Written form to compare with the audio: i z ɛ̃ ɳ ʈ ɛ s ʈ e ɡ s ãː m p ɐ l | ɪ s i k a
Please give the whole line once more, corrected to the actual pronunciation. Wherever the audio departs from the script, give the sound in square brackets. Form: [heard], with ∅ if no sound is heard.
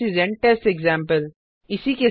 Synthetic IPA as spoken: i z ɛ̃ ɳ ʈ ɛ s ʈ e ɡ [z] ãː m p [ə] l | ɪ s i k [e]